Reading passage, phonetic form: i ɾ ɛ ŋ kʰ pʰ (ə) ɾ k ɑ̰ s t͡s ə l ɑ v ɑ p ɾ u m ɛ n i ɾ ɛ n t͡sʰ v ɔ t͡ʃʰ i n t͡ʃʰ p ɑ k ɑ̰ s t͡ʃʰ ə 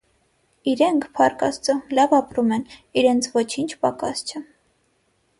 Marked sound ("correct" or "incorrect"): incorrect